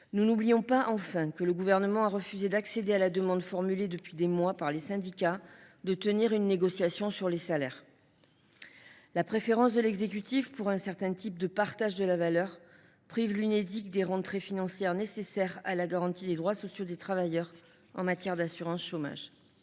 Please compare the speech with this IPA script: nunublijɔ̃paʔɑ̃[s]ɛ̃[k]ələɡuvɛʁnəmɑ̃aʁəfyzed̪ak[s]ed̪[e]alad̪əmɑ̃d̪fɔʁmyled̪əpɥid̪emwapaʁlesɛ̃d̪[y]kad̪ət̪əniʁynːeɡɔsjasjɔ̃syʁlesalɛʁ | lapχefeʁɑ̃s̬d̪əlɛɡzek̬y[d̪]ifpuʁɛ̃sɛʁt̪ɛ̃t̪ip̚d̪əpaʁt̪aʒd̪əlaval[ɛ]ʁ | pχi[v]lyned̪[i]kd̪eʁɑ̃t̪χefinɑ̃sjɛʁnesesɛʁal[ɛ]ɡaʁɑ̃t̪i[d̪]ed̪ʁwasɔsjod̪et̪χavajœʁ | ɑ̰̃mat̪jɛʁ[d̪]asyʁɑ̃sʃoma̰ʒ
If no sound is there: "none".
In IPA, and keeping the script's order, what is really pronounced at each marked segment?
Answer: f, k, s, e, i, t̪, œ, v, i, a, d̪, d̪

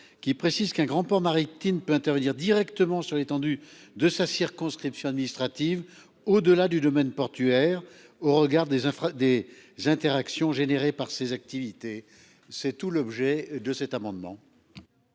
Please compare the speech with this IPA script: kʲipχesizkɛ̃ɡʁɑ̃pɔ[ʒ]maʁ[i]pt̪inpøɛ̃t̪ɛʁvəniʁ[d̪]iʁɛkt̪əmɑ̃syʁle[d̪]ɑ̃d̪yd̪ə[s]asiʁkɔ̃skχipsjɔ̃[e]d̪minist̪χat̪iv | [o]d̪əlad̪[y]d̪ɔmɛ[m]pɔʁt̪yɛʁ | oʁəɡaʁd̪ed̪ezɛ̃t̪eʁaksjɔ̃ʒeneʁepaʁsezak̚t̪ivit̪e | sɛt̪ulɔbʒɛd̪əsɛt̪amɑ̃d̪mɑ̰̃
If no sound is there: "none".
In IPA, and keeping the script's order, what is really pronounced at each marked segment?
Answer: ʁ, i, d̪, t̪, s, a, o, y, n

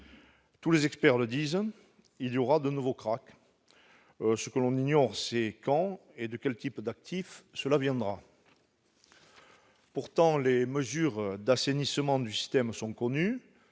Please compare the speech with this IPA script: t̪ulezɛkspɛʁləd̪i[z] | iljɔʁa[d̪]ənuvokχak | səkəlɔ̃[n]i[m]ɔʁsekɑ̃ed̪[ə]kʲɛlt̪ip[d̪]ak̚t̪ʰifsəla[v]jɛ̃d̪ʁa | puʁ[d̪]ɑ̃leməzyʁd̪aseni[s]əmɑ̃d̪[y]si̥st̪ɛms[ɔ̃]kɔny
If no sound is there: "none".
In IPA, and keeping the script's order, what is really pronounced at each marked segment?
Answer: z, d̪, n, ɲ, ə, d̪, v, t̪, s, y, ɔ̃

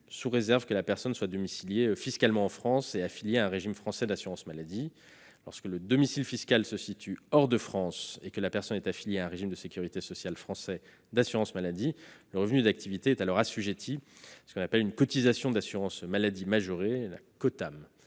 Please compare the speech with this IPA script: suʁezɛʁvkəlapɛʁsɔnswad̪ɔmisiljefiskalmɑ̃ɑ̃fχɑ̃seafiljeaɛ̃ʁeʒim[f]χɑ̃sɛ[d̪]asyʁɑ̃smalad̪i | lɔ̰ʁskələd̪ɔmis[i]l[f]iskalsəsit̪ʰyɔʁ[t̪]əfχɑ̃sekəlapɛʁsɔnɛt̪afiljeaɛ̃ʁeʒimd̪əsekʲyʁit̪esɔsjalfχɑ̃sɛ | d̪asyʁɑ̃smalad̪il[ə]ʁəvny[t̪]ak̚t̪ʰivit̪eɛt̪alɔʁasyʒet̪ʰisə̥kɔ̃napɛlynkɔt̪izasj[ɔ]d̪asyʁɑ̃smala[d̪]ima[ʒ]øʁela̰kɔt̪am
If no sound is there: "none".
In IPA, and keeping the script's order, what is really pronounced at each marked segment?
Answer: f, d̪, i, f, d̪, ə, d̪, ɔ̃, d̪, ʒ

